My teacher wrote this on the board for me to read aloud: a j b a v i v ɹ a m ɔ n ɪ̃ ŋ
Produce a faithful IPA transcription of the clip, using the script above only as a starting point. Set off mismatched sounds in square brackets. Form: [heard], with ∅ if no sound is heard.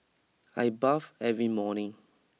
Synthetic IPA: a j b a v [ɛ] v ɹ [i] m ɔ n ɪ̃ ŋ

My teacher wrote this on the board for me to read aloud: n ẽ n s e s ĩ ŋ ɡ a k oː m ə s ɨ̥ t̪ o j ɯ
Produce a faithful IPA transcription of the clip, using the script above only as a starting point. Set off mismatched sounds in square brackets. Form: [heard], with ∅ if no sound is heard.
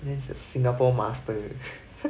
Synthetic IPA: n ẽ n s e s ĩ ŋ ɡ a [p] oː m [a] s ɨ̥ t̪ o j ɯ

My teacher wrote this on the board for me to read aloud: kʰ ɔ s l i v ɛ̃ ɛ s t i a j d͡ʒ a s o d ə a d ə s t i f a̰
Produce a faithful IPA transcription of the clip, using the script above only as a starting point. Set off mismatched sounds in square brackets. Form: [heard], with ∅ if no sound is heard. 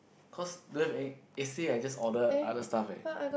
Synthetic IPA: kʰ ɔ s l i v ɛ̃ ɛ s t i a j d͡ʒ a s [ɔ] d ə a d ə s t [a] f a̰

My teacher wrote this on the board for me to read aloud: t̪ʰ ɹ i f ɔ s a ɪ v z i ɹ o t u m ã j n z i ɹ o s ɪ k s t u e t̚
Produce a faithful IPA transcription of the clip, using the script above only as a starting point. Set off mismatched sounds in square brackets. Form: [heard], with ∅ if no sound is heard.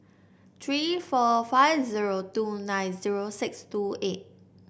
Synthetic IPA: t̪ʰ ɹ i f ɔ [f] a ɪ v z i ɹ o t u [n] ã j n z i ɹ o s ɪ k s t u e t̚

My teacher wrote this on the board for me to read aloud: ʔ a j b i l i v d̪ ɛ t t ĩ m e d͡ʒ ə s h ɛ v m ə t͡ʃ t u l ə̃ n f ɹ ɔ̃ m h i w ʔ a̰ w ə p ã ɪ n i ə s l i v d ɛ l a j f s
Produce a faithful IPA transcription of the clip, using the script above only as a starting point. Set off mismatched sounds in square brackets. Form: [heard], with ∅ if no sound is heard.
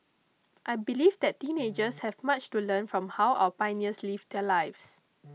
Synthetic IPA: ʔ a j b i l i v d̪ ɛ t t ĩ [n] e d͡ʒ ə s h ɛ v m [a] t͡ʃ t u l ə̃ n f ɹ ɔ̃ m h [a] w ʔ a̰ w ə p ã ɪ n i ə s l i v d ɛ l a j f s

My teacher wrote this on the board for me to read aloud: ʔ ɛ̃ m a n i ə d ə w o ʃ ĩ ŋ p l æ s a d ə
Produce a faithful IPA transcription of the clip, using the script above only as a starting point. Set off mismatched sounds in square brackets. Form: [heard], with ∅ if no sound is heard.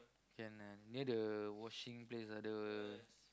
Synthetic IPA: [k] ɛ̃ [n] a n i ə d ə w [ɔ] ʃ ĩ ŋ p l [e] s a d ə

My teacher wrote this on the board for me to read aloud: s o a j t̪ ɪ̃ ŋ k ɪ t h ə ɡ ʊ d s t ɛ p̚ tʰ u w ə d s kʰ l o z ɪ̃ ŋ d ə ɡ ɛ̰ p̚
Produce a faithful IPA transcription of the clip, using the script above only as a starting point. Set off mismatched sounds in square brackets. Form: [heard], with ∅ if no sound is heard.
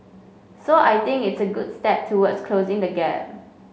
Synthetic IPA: s o a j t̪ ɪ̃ ŋ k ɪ t [s] ə ɡ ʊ d s t ɛ p̚ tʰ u w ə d s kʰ l o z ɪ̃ ŋ d ə ɡ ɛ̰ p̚

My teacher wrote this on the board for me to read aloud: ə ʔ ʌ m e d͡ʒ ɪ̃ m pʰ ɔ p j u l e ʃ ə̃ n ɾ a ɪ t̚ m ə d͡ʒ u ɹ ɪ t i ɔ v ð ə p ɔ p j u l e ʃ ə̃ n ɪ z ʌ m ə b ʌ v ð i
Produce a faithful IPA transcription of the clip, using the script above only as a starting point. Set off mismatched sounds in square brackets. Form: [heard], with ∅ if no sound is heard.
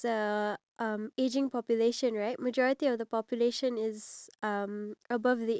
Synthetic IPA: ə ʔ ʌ m e d͡ʒ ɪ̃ [ŋ] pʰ ɔ p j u l e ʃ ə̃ n [ɹ] a ɪ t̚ m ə d͡ʒ [ɔ] ɹ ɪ t i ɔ v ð ə p ɔ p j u l e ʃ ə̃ n ɪ z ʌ m ə b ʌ v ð i

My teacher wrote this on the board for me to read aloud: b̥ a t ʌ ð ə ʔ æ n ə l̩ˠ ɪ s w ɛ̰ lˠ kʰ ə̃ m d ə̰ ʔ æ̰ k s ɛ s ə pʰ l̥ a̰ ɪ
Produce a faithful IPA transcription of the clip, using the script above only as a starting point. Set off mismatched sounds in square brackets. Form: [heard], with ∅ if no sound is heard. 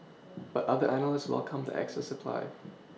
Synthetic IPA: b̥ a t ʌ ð ə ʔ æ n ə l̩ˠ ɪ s w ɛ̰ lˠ kʰ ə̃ m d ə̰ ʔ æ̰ k s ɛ s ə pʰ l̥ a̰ ɪ

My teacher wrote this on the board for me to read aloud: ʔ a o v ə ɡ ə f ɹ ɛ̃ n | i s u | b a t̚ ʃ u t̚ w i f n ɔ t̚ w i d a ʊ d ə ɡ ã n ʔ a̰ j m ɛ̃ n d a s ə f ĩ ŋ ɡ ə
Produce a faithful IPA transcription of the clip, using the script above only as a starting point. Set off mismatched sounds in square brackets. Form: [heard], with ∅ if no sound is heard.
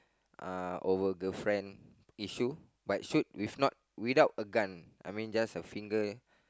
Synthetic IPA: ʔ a o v ə ɡ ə f ɹ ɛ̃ n | i [ʃ] u | b a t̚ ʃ u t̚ w i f n ɔ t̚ w i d a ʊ [t] ə ɡ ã n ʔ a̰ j m [ĩ] n [d͡ʒ] a s ə f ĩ ŋ ɡ ə

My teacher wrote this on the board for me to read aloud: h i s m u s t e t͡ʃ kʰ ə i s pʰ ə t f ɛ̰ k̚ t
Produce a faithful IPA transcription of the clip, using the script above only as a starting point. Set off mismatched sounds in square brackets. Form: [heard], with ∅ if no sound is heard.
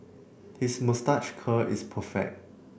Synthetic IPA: h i s m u s t [a] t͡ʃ kʰ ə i s pʰ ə [∅] f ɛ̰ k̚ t

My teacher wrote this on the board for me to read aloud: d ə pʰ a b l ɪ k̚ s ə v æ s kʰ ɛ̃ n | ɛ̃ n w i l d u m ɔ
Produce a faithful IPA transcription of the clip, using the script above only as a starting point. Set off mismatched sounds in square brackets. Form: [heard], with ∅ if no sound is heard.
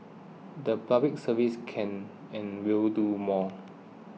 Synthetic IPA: d ə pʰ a b l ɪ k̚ s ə v [i] s kʰ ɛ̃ n | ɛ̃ n w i l d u m ɔ

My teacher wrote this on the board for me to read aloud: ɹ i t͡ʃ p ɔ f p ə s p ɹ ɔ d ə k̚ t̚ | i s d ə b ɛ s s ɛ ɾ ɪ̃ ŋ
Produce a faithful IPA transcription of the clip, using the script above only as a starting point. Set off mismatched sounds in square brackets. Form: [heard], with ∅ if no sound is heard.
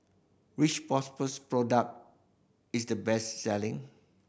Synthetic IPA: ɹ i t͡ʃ p ɔ [s] p ə s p ɹ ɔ d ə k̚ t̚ | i s d ə b ɛ s s ɛ [l] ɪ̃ ŋ

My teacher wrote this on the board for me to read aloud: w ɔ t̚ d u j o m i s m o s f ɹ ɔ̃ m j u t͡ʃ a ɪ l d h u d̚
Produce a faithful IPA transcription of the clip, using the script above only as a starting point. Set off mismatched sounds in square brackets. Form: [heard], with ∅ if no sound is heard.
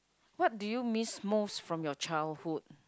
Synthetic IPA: w ɔ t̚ d u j [u] m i s m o s f ɹ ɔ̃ m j [ɔ] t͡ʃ a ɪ l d h u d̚

